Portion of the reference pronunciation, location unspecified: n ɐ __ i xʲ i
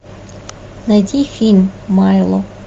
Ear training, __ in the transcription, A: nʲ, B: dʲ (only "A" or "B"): B